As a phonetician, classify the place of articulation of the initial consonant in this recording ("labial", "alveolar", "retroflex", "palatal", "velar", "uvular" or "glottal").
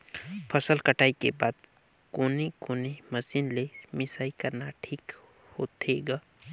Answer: labial